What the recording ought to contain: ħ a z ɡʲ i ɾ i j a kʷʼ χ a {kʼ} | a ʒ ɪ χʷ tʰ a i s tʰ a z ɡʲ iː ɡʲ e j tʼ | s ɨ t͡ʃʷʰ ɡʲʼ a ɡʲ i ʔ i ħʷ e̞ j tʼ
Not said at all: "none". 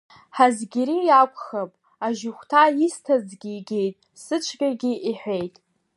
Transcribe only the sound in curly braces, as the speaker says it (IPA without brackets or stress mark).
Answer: pʼ